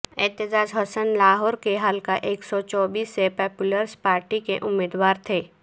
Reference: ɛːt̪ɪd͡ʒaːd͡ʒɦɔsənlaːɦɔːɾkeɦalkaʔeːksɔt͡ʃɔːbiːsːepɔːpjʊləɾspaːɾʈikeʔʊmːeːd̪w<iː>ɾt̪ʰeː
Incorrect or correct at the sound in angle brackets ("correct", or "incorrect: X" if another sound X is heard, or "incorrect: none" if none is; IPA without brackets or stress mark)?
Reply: incorrect: aː